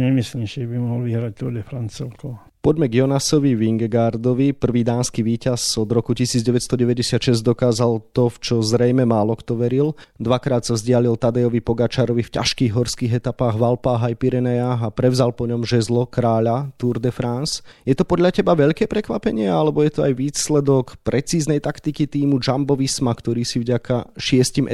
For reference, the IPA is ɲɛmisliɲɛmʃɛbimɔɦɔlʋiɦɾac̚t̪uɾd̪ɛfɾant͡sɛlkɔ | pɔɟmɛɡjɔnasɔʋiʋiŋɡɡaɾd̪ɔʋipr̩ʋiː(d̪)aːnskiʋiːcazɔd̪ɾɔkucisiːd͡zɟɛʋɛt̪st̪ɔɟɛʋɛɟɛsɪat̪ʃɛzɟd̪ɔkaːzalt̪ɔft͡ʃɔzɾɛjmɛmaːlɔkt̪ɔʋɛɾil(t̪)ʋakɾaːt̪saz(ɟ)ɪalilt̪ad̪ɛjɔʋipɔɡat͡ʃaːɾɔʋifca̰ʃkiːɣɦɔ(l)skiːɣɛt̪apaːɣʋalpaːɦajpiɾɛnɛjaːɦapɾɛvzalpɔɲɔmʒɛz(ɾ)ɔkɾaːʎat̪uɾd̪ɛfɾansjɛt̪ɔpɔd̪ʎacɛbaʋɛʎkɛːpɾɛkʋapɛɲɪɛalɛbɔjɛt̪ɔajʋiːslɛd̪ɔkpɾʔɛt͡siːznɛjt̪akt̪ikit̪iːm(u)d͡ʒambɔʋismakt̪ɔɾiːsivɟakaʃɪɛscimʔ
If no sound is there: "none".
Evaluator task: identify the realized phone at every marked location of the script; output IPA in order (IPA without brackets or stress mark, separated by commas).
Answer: d̪, d̪, ɟ, ɾ, l, u